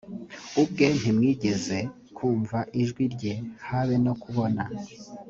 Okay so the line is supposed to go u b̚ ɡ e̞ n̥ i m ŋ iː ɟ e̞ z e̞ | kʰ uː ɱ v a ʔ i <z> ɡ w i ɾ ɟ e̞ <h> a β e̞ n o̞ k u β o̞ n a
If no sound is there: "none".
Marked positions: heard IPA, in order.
ʒ, h

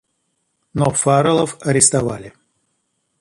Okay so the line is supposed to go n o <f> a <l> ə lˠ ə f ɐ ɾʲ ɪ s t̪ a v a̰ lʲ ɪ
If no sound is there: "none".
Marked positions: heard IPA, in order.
f, ɾ

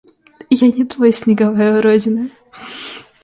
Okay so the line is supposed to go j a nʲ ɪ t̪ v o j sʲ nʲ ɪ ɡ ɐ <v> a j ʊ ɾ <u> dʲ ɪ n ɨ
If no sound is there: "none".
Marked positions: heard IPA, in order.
v, o

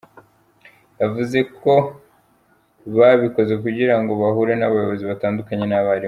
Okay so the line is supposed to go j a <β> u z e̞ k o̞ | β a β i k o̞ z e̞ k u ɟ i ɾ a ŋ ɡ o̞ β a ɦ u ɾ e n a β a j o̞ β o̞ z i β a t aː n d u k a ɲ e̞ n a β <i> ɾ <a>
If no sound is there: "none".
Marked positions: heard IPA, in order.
v, a, i

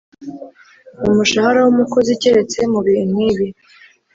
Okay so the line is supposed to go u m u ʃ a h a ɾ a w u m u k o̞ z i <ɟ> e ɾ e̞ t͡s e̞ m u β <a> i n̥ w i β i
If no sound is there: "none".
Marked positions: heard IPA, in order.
c, i

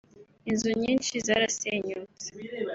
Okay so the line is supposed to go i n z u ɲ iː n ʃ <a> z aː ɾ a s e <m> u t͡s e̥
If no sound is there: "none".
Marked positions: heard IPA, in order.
i, ɲ

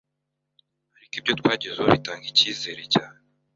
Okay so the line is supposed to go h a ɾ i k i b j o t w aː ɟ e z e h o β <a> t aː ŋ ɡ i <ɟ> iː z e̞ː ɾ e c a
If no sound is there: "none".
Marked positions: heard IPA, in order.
i, c

